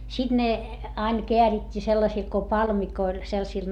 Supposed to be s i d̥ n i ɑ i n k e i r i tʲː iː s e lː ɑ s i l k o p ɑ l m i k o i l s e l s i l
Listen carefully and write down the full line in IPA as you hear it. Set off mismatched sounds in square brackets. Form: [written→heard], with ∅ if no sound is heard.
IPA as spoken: s i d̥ n [i→e] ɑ i n k e [i→æ] r i tʲː iː s e lː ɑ s i l k o p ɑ l m i k o i l s e l s i l